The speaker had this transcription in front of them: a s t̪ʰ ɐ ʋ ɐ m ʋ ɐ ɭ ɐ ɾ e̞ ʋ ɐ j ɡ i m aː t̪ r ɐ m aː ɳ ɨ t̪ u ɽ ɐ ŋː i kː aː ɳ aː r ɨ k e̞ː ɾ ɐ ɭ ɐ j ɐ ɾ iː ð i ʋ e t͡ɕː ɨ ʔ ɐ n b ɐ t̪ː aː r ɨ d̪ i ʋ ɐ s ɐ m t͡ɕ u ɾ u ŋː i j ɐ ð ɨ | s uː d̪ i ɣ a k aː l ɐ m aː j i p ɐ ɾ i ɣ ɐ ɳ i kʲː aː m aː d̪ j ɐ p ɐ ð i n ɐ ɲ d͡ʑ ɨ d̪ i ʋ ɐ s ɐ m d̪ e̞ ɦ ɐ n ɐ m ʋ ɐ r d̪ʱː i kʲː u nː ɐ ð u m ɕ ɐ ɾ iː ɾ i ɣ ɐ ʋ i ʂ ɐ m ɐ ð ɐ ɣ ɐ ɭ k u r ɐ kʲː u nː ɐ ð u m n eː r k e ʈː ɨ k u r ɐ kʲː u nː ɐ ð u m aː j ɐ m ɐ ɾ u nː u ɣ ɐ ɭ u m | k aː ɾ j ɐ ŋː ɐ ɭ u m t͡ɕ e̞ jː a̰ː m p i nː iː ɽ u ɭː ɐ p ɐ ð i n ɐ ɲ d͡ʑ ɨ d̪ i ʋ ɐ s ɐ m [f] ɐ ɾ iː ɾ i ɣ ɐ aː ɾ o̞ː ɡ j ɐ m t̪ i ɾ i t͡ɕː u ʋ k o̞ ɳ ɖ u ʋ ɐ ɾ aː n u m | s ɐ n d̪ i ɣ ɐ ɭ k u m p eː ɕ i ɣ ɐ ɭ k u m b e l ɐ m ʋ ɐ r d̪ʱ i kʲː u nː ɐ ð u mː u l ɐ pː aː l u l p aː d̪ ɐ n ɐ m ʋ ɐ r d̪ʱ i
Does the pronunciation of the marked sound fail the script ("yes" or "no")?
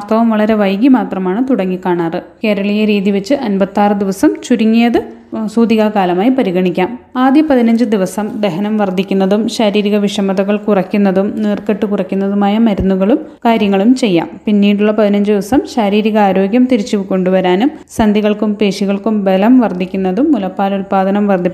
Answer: yes